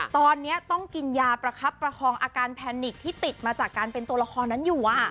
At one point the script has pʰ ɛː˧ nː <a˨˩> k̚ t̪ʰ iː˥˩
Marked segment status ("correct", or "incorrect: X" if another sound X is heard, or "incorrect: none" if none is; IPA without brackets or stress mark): incorrect: i˨˩